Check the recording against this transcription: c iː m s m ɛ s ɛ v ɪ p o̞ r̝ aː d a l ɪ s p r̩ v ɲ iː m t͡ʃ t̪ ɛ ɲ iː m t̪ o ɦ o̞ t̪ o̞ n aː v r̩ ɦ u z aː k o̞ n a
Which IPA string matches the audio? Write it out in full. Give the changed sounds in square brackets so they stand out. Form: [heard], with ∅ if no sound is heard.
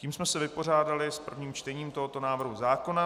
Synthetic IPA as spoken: c iː m s m ɛ s ɛ v ɪ p o̞ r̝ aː d a l ɪ s p r̩ v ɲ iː m t͡ʃ t̪ ɛ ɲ iː m t̪ o ɦ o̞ t̪ o̞ n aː v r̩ ɦ u z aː k o̞ n a